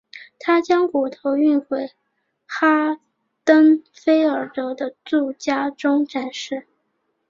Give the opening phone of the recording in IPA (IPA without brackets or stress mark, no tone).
t̪ʰ